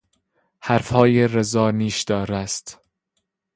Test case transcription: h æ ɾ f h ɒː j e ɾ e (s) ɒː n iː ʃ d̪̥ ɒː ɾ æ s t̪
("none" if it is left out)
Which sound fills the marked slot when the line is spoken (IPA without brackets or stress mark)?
z